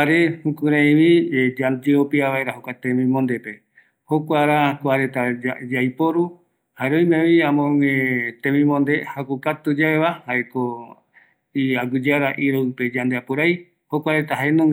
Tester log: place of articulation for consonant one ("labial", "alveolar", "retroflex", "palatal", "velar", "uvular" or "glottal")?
alveolar